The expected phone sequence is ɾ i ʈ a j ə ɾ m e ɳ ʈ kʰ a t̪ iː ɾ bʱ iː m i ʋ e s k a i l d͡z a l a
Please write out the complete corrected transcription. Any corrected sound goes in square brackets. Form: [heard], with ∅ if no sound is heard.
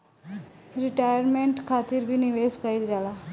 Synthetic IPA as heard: ɾ i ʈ a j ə ɾ m e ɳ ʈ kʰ a t̪ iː ɾ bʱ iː [n] i ʋ e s k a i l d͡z a l a